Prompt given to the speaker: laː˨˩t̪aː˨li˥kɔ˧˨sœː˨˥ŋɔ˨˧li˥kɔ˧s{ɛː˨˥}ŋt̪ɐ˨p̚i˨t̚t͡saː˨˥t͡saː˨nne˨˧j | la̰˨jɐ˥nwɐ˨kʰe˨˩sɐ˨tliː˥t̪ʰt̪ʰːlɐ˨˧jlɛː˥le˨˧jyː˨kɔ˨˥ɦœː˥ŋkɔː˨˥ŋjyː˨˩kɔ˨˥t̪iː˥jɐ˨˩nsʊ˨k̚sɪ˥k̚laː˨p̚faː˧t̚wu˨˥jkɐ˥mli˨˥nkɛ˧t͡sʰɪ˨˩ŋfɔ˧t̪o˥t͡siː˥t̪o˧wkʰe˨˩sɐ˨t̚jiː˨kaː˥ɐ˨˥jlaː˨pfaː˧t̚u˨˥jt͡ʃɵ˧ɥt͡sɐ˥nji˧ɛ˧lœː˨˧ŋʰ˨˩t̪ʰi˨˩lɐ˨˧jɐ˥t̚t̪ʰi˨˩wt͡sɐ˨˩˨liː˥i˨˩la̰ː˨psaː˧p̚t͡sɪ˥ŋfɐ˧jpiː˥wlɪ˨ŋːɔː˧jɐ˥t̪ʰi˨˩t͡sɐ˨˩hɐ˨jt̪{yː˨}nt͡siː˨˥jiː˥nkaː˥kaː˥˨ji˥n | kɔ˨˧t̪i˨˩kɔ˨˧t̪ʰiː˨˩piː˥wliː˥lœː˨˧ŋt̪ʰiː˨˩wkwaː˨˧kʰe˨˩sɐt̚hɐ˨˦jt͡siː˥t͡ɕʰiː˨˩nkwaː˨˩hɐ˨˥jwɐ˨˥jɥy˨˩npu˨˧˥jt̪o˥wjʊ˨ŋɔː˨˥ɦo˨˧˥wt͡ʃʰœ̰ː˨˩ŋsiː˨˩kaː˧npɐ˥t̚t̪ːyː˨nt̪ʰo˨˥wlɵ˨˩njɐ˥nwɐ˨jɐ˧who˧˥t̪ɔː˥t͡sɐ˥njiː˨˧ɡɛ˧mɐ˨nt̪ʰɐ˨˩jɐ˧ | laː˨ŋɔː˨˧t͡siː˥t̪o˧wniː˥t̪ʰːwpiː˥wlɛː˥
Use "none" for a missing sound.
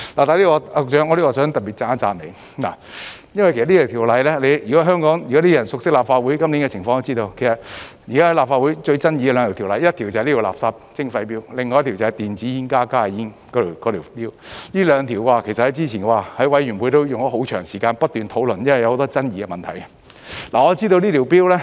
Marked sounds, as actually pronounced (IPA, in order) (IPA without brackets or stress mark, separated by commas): œː˨˥, iː˨